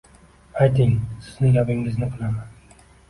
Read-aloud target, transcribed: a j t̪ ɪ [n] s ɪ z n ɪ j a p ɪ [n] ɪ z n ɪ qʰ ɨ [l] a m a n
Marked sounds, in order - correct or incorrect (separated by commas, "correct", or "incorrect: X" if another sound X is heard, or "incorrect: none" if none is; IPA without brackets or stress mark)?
incorrect: ŋ, incorrect: ŋ, correct